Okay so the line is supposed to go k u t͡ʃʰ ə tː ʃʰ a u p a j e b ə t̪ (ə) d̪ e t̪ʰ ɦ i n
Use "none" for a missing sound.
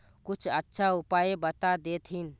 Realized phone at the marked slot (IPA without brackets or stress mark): a